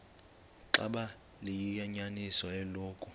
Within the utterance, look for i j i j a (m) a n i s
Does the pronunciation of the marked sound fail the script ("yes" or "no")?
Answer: yes